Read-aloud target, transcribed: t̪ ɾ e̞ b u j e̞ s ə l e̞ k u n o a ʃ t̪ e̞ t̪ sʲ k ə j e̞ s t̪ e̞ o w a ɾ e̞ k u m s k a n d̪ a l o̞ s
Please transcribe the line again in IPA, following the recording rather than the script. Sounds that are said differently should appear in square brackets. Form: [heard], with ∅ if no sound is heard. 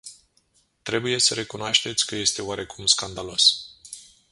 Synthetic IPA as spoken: t̪ ɾ e̞ b u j e̞ s ə [ɾ] e̞ k u n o a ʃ t̪ e̞ t̪ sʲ k ə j e̞ s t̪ e̞ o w a ɾ e̞ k u m s k a n d̪ a l o̞ s